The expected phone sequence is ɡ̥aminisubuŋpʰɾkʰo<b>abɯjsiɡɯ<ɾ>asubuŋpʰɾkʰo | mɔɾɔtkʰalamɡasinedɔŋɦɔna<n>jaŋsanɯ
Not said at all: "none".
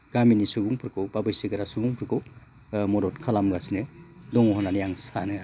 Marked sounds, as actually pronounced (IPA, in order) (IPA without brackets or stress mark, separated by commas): b, ɾ, n